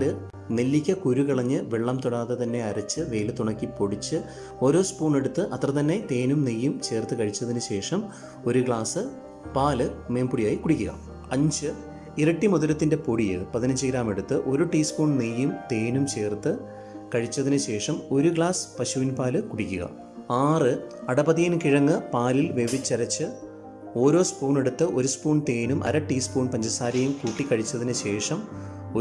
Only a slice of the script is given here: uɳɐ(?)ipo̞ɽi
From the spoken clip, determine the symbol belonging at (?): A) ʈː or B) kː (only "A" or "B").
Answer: B